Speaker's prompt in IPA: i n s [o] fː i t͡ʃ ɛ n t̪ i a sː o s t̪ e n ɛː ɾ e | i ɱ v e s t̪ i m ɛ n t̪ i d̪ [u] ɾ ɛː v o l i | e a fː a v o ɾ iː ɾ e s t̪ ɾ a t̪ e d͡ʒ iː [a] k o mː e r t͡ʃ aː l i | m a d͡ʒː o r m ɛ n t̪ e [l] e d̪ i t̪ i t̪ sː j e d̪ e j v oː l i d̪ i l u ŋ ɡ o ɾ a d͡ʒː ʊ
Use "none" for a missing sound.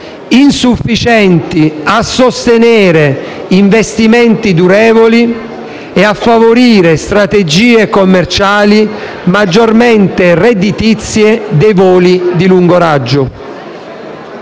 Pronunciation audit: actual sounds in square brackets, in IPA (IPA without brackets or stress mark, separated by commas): u, u, e, r